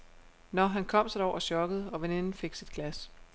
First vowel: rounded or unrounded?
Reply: rounded